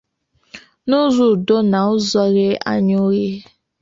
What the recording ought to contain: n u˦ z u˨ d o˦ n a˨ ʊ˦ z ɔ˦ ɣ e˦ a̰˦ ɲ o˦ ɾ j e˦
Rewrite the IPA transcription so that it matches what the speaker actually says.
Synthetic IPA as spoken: n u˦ z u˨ d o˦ n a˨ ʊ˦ z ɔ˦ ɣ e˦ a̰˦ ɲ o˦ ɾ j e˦